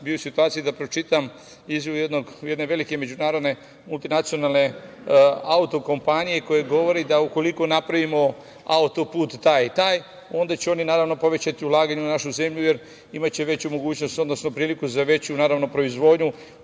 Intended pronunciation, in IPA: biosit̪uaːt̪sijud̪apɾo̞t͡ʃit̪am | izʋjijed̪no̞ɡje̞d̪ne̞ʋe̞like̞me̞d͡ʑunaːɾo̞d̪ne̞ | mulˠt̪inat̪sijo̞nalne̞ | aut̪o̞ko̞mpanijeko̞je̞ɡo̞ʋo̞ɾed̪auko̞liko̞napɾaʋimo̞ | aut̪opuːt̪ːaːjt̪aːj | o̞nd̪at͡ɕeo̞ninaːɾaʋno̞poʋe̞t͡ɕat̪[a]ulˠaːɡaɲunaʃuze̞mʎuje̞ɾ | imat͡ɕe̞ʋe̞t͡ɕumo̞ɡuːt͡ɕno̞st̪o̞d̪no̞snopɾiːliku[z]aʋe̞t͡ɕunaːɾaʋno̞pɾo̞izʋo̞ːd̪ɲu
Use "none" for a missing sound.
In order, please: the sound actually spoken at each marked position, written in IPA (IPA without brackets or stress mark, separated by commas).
i, z